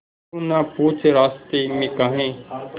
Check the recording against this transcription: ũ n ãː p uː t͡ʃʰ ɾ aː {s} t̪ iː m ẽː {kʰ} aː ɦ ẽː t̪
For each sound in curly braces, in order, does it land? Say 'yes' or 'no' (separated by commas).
yes, no